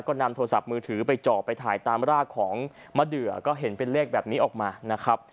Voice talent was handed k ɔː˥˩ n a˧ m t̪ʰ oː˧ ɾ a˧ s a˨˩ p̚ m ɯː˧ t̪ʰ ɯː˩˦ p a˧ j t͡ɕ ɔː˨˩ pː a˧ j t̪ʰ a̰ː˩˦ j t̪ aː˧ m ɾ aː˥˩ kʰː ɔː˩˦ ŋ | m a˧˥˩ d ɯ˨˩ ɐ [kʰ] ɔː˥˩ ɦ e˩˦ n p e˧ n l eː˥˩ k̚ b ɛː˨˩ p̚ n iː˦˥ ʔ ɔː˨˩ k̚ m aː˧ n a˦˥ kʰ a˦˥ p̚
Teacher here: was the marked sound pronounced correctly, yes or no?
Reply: no